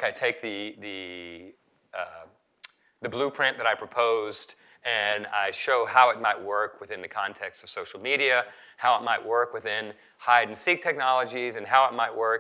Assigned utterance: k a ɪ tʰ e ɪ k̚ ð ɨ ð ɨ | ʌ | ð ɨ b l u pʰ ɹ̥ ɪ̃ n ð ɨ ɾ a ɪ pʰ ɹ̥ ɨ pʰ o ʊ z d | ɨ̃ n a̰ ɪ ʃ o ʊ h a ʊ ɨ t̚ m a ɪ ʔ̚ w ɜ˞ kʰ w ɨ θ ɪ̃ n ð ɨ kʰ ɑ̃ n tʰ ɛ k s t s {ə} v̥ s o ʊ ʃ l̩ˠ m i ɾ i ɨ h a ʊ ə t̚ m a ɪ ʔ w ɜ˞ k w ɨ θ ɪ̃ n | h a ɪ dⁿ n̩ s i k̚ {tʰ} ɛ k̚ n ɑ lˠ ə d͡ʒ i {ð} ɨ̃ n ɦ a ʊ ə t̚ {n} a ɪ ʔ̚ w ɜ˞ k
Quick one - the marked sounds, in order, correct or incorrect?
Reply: incorrect, correct, incorrect, incorrect

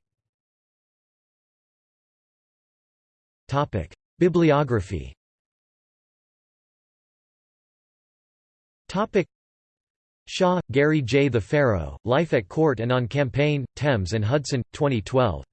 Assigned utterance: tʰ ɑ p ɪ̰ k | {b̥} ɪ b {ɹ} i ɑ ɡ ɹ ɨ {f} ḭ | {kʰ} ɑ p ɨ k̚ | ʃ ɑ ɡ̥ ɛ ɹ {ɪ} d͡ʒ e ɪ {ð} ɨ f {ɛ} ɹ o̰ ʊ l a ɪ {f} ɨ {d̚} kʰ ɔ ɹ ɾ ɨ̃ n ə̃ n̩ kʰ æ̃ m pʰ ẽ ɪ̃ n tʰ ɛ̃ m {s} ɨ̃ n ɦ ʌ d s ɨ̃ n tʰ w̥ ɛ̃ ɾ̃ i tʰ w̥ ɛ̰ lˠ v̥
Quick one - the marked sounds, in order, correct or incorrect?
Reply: correct, incorrect, correct, incorrect, incorrect, correct, correct, correct, incorrect, incorrect

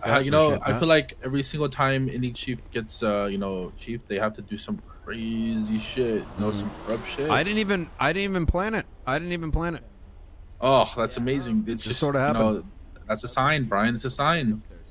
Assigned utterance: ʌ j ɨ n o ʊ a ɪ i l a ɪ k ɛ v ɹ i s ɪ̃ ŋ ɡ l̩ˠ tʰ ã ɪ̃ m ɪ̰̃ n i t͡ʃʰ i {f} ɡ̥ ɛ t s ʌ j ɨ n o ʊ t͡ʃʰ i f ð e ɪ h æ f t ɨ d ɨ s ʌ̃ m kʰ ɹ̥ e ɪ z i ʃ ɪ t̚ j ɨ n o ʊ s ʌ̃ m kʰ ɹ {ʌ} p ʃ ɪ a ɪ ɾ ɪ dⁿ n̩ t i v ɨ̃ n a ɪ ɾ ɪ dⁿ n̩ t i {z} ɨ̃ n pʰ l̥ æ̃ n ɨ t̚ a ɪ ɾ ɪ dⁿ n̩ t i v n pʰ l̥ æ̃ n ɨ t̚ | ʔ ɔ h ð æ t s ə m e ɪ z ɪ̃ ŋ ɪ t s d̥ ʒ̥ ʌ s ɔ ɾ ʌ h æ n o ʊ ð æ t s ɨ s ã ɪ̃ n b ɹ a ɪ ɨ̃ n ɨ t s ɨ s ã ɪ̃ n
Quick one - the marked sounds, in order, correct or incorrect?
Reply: correct, correct, incorrect

